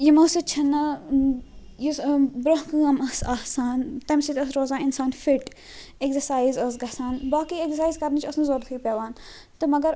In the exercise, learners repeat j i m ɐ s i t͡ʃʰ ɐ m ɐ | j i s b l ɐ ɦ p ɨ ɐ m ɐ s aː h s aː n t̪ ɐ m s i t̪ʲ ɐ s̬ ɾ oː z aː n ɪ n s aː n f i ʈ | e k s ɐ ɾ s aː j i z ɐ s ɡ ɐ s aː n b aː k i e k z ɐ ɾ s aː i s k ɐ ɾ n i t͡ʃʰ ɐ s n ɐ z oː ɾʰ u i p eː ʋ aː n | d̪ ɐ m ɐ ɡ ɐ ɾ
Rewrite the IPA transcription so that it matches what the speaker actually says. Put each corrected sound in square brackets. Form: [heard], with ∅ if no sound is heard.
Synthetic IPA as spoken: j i m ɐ s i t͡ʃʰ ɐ [n] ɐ | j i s b [ɾ] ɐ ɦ [k] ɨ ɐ m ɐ s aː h s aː n t̪ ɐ m s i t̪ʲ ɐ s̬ ɾ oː z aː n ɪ n s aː n f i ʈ | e k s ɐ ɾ s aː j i z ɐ s ɡ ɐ s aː n b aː k i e k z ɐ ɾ s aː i [z] k ɐ ɾ n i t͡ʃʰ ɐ s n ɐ z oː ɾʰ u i p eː ʋ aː n | [t̪] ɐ m ɐ ɡ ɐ ɾ